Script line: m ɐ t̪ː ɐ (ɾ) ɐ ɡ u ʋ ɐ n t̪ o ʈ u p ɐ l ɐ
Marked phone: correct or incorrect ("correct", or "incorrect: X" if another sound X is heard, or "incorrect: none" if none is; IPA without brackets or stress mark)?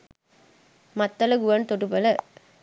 incorrect: l